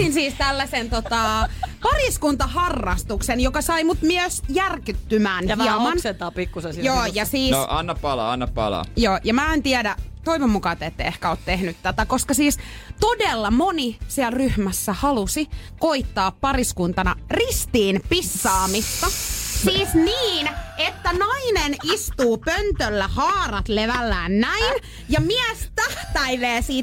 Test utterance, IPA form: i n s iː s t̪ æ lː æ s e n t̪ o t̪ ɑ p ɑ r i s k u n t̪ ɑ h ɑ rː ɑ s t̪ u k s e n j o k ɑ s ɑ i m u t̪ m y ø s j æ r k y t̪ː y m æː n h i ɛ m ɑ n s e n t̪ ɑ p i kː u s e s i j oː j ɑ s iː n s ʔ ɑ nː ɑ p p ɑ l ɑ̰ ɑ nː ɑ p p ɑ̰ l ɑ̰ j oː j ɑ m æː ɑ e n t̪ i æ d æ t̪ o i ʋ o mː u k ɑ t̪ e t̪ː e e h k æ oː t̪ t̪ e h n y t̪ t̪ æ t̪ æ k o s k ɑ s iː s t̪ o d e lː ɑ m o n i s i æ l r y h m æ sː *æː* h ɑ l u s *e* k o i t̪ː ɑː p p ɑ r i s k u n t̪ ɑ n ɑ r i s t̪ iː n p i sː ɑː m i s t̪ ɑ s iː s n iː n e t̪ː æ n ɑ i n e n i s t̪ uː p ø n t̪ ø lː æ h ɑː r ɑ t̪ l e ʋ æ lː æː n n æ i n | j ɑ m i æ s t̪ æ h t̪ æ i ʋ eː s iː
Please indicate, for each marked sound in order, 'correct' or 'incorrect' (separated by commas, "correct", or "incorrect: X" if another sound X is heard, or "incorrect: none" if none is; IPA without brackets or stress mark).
incorrect: æ, incorrect: i